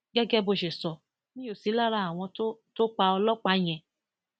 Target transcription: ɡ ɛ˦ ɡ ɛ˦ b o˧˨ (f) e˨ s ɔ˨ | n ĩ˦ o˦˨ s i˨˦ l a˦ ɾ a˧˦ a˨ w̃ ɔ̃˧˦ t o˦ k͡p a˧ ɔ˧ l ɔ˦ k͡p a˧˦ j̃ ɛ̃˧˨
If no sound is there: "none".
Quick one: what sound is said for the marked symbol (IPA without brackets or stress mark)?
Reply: ʃ